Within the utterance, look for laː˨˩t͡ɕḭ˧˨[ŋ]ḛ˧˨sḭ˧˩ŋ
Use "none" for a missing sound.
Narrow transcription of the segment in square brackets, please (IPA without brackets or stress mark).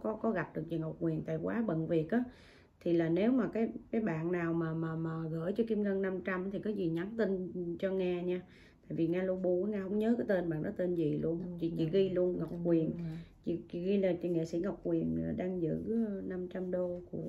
ŋ